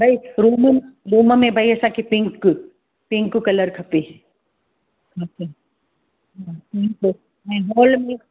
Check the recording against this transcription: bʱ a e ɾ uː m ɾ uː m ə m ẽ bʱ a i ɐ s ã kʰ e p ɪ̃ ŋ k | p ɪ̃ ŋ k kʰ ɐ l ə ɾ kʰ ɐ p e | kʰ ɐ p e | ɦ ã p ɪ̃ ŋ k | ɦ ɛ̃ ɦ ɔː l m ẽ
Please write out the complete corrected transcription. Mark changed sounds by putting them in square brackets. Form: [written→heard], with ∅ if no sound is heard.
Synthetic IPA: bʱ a [e→i] ɾ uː m ɾ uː m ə m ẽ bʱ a i ɐ s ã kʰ e p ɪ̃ ŋ k | p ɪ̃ ŋ k [kʰ→k] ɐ l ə ɾ kʰ ɐ p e | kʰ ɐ p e | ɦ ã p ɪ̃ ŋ k | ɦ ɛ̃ ɦ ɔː l m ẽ